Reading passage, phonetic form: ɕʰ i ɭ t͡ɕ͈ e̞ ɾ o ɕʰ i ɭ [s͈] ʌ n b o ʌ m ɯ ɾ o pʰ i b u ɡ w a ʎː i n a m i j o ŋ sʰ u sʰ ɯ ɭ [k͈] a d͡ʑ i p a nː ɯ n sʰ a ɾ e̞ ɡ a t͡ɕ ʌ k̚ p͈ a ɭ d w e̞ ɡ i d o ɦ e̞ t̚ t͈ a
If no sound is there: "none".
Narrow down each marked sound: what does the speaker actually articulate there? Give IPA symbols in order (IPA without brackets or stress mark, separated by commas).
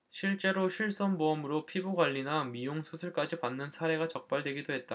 s͈, k͈